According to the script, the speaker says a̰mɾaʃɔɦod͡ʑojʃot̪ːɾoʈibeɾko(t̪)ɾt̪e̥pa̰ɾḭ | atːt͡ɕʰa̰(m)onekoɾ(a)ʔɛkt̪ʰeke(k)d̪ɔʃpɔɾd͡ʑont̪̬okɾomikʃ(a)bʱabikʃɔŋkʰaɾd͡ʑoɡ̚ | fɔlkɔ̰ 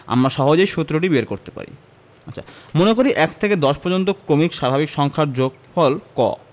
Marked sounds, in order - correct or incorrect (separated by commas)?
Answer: incorrect, correct, incorrect, incorrect, correct